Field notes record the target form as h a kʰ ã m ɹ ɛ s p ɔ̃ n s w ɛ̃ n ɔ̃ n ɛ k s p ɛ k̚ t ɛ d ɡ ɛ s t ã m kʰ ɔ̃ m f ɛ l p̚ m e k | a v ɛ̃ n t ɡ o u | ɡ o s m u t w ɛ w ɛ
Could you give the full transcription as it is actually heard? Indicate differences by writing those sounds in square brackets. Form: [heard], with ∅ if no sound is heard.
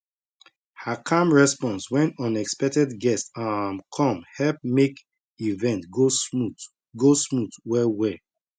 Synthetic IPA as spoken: h a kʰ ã m ɹ ɛ s p ɔ̃ n s w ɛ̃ n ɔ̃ n ɛ k s p ɛ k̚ t ɛ d ɡ ɛ s t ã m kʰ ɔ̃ m [h] ɛ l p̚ m e k | [i] v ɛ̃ n t ɡ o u | ɡ o s m u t w ɛ w ɛ